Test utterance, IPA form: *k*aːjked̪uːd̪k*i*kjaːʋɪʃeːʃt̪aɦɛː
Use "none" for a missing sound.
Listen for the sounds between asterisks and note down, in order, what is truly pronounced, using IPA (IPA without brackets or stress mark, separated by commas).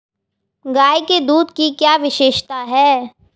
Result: ɡ, i